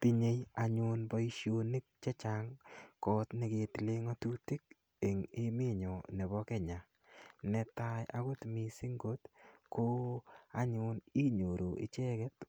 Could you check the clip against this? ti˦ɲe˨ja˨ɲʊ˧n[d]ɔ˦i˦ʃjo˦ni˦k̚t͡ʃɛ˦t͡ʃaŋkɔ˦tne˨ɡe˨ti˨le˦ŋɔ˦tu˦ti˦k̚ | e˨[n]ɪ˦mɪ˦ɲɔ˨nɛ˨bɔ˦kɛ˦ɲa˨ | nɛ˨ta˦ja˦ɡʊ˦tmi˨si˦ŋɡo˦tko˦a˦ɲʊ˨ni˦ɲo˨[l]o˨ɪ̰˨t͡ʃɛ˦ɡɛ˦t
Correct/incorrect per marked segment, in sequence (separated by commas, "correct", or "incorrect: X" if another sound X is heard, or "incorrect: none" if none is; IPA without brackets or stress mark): incorrect: b, incorrect: ŋ, incorrect: ɾ